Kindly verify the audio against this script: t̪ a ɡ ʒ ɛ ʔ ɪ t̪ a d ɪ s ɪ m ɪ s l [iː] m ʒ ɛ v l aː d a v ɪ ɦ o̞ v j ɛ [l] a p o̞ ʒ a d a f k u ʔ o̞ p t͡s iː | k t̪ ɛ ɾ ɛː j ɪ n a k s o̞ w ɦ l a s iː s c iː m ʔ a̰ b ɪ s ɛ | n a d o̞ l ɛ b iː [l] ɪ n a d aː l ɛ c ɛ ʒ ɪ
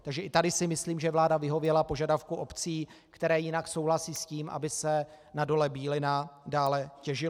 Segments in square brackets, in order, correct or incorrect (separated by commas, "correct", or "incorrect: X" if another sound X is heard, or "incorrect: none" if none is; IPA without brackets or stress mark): correct, correct, correct